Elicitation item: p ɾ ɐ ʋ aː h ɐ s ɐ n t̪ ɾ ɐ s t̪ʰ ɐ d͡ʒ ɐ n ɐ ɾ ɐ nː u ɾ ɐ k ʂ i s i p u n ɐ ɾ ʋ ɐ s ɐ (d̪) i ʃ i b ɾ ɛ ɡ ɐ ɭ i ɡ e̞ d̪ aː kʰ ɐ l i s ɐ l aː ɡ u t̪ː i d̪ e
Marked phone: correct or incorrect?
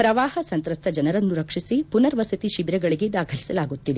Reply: incorrect: t̪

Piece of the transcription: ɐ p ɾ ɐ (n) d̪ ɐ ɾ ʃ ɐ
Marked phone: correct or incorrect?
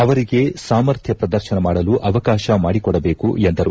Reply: incorrect: none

